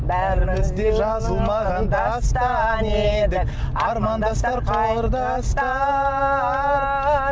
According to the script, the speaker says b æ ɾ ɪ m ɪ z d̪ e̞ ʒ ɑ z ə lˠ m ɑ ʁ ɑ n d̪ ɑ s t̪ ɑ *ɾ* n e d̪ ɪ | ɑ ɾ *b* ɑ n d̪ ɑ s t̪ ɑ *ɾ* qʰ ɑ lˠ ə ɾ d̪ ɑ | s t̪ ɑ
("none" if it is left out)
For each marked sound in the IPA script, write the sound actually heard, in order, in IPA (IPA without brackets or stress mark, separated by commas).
none, m, ɾ